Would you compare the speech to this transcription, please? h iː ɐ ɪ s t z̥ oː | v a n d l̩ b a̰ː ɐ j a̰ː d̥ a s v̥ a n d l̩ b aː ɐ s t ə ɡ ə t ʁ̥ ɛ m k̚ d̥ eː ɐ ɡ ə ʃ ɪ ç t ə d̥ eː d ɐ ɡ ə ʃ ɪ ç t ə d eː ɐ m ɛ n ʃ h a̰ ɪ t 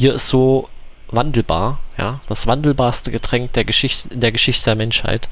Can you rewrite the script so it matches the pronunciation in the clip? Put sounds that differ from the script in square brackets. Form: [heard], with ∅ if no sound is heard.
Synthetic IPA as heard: h iː ɐ ɪ s t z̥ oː | v a n d l̩ b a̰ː ɐ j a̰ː d̥ a s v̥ a n d l̩ b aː ɐ s t ə ɡ ə t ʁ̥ ɛ [ŋ] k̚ d̥ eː ɐ ɡ ə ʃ ɪ ç t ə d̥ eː [∅] ɐ ɡ ə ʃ ɪ ç t ə d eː ɐ m ɛ n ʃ h a̰ ɪ t